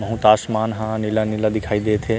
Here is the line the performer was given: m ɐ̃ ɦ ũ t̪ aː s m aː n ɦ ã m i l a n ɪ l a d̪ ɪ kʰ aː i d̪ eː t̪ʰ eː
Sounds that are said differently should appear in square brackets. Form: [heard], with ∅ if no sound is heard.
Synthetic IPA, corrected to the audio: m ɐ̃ ɦ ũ t̪ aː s m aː n ɦ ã [n] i l a n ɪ l a d̪ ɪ kʰ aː i d̪ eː t̪ʰ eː